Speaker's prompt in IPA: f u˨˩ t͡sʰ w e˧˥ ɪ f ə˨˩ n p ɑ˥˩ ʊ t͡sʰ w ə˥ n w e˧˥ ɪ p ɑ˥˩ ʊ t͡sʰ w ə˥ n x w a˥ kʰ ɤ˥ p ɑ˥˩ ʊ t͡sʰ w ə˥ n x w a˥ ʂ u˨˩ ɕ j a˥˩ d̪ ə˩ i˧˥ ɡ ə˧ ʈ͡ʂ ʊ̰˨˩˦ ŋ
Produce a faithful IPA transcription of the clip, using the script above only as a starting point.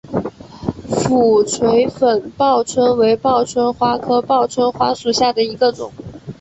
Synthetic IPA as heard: f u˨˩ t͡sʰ w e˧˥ ɪ f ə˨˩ n p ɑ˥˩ ʊ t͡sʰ w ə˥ n w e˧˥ ɪ p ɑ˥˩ ʊ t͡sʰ w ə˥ n x w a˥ kʰ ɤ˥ p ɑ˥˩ ʊ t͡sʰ w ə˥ n x w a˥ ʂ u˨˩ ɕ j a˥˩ d̪ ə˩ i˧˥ ɡ ə˧ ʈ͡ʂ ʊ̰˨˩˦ ŋ